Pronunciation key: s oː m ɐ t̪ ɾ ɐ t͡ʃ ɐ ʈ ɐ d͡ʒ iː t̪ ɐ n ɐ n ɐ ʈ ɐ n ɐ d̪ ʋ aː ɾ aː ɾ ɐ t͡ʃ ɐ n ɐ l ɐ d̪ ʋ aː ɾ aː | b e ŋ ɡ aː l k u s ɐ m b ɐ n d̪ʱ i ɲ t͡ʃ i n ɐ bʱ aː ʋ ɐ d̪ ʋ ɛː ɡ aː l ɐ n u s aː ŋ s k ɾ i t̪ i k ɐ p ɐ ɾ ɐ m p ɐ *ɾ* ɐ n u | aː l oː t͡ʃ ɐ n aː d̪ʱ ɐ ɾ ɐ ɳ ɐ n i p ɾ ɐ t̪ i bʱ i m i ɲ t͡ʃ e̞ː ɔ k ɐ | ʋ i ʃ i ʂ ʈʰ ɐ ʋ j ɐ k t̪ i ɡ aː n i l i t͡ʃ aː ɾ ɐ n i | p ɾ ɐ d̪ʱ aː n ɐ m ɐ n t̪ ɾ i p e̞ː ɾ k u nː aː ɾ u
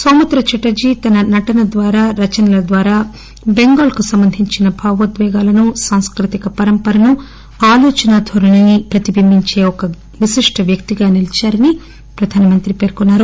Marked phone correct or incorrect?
correct